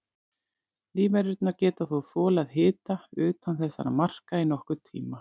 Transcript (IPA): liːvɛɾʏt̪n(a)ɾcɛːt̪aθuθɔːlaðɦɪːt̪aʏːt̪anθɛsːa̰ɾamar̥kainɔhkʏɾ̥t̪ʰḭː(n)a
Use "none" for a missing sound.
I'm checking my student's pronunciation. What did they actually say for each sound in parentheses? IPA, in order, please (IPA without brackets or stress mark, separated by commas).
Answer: a, m